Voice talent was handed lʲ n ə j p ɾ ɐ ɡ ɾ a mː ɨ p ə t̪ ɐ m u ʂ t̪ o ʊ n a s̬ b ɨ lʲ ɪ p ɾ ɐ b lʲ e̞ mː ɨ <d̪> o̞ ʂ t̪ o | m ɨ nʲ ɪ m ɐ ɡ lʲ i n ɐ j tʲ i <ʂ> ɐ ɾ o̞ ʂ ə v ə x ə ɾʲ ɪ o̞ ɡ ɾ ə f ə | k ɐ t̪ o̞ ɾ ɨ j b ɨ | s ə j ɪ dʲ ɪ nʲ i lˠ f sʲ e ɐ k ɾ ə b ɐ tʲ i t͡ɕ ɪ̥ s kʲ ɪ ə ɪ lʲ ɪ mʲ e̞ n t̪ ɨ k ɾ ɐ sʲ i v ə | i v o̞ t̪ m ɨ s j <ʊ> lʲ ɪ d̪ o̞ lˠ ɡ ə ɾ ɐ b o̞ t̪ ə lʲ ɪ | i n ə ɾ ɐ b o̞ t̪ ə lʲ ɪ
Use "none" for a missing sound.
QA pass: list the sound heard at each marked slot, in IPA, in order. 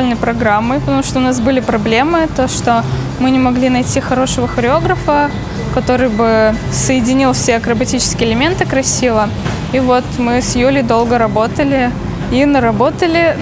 t̪, x, u

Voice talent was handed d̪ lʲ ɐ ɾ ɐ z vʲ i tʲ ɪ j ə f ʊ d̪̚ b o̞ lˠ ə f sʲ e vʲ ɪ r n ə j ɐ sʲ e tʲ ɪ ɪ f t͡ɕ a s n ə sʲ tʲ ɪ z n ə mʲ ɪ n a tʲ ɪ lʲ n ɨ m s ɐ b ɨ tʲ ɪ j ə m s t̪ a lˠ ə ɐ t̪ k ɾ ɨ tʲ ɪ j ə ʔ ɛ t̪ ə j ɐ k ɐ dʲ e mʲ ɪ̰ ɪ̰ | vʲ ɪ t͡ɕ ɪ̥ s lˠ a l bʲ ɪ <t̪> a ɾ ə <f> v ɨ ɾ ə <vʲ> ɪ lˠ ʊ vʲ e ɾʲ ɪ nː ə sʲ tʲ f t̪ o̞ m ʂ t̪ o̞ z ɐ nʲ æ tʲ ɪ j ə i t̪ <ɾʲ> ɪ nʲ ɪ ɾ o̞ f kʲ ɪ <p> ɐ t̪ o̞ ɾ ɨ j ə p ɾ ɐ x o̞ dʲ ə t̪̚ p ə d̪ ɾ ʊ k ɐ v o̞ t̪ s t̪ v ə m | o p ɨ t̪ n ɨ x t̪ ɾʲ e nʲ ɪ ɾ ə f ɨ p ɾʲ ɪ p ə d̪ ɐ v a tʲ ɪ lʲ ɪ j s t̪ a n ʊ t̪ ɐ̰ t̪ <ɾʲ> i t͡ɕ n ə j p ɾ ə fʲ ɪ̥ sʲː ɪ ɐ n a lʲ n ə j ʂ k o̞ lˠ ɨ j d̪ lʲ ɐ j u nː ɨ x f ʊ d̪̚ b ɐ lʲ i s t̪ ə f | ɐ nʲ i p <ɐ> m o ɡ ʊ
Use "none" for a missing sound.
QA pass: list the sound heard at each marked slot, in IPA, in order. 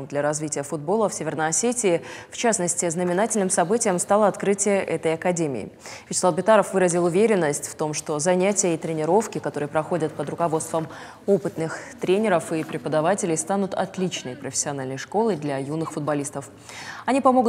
t̪, f, zʲ, ɾʲ, k, lʲ, ɐ

